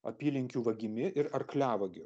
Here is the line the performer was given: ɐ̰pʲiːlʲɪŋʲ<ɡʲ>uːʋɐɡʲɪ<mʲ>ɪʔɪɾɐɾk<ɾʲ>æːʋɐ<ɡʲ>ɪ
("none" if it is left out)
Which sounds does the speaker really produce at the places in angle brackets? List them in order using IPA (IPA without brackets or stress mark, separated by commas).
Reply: kʲ, mʲ, lʲ, ɡʲ